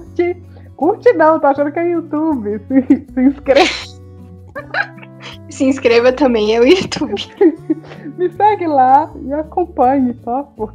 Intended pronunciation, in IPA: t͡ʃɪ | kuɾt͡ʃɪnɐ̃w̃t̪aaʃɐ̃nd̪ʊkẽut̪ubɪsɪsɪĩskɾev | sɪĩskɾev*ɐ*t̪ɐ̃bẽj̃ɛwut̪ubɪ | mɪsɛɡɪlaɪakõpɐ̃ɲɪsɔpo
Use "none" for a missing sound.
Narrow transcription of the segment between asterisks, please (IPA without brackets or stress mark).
ɐ